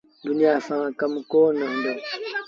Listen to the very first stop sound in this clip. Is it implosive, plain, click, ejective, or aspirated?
plain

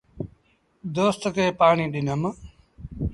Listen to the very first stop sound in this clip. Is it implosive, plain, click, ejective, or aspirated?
plain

